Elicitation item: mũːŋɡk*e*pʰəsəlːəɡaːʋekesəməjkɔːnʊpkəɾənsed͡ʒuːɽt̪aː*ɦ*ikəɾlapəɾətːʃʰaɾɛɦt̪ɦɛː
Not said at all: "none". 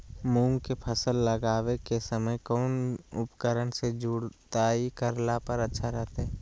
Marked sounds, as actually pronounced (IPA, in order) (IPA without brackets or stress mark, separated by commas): e, none